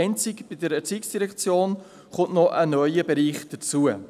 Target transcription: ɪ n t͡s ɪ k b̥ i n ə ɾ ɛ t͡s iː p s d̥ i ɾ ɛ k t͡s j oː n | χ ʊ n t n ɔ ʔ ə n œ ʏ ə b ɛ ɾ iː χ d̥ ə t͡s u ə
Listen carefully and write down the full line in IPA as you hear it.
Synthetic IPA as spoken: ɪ n t͡s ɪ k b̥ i d ə ɾ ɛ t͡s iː k s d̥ i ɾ ɛ k t͡s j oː n | χ ʊ n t n ɔ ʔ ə n œ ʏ ə b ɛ ɾ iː χ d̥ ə t͡s u ə